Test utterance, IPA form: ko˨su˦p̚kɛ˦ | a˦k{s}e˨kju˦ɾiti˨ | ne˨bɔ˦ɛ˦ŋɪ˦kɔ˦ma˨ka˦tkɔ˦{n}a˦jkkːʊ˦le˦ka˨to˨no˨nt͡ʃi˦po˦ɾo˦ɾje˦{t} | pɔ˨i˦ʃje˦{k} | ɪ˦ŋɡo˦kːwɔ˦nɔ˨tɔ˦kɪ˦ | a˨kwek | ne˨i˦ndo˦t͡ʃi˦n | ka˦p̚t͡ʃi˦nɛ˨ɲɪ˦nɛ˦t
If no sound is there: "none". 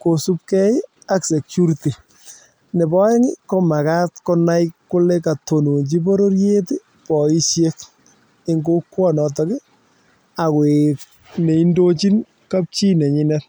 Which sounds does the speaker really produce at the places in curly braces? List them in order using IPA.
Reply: s, n, t, k

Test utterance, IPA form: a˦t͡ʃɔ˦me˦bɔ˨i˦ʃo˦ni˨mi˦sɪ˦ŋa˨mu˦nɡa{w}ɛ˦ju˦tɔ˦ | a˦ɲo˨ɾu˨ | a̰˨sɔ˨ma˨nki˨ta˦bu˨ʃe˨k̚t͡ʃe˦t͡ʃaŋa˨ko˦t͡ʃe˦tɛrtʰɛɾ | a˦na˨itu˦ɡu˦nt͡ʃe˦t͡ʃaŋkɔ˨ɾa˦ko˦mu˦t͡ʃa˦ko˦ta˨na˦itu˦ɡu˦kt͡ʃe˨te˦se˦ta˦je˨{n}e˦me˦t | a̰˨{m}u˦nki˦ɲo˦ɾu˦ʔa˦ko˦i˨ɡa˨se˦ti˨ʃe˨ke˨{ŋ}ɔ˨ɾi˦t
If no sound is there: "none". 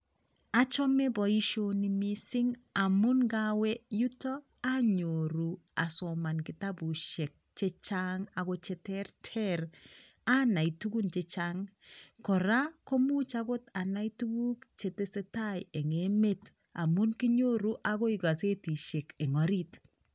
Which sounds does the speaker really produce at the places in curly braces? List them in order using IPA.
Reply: w, ŋ, m, ŋ

